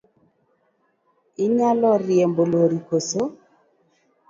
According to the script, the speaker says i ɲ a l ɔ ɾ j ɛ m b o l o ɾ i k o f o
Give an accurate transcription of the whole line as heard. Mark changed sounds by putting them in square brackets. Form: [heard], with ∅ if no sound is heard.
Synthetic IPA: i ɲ a l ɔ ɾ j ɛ m b o l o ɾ i k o [s] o